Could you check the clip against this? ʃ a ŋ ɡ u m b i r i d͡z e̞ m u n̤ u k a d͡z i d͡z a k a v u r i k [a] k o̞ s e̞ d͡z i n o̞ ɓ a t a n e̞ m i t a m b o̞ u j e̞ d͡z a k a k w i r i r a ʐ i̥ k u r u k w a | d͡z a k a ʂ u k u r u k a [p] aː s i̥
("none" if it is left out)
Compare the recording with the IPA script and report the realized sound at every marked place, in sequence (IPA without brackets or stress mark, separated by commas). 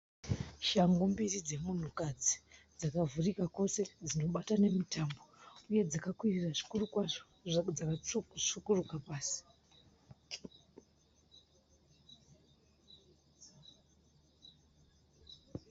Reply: a, p